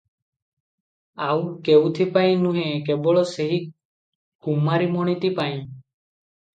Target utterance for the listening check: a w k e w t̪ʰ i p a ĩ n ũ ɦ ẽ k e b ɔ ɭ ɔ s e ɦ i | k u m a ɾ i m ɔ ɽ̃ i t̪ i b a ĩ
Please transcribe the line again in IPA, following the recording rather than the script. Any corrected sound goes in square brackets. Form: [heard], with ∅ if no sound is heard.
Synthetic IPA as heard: a w k e w t̪ʰ i p a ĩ n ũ ɦ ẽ k e b ɔ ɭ ɔ s e ɦ i | k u m a ɾ i m ɔ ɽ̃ i t̪ i [p] a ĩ